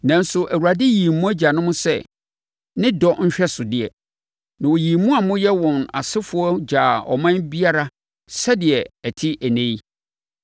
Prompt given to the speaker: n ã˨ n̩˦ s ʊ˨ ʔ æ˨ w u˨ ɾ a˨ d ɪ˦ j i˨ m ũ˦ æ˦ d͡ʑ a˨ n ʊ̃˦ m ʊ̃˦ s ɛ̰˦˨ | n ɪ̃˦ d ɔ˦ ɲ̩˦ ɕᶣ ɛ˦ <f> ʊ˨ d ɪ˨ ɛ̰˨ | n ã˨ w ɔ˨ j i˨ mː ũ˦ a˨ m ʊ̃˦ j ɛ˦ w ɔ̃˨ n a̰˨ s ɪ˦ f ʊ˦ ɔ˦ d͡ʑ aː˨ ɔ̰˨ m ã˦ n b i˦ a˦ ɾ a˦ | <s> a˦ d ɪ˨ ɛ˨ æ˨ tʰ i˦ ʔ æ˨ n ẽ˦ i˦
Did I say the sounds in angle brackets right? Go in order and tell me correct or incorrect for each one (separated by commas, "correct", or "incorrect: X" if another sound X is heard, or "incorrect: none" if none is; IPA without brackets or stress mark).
incorrect: s, correct